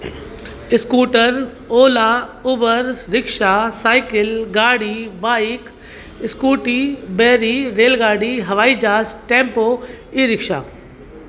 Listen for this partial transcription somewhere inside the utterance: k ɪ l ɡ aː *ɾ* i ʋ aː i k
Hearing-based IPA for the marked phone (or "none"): ɽ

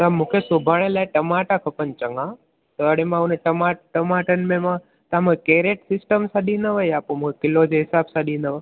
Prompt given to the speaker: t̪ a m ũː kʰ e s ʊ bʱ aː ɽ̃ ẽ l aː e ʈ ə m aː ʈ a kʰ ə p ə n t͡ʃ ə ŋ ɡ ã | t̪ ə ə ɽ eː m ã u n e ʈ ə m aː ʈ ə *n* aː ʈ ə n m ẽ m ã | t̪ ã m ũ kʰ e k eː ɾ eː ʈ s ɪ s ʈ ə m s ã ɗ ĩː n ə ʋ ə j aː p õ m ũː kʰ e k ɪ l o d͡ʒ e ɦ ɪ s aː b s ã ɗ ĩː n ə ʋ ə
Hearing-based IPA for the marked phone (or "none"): m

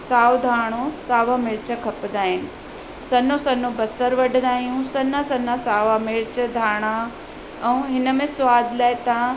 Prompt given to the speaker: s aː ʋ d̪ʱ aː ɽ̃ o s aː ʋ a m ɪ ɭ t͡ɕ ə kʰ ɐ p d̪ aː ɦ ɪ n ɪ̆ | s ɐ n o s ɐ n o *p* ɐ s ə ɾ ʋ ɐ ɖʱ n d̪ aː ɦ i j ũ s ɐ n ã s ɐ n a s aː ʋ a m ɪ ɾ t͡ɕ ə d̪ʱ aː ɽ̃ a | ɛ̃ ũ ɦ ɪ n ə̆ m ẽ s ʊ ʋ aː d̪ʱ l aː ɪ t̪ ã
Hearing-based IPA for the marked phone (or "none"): b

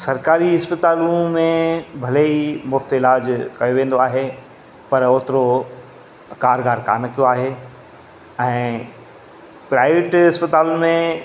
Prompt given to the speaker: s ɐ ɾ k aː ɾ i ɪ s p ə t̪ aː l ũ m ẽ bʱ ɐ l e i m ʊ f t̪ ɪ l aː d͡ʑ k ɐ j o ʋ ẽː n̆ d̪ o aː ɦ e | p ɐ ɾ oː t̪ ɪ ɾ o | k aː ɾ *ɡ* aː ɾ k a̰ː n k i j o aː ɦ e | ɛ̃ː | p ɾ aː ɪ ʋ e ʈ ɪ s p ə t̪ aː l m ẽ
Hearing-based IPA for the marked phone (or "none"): ɡ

